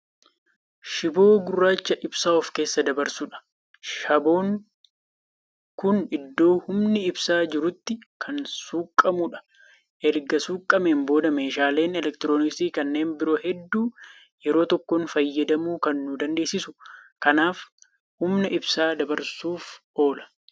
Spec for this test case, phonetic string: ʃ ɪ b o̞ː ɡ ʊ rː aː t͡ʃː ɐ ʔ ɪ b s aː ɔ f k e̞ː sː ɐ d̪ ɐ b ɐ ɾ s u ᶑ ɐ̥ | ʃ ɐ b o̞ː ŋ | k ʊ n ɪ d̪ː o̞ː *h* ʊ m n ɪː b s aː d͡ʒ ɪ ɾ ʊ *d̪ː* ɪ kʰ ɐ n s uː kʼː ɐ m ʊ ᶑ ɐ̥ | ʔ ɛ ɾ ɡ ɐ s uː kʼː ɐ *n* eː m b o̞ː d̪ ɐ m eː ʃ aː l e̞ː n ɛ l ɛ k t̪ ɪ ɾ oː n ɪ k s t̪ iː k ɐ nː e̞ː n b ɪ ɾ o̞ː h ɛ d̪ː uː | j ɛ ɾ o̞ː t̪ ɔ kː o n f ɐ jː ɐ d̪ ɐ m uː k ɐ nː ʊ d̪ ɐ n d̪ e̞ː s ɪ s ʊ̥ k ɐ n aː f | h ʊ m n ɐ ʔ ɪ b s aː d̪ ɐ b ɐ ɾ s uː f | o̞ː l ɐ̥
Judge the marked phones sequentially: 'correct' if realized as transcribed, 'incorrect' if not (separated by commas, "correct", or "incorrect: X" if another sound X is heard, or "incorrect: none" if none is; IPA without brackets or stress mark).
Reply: correct, incorrect: t̪ː, incorrect: m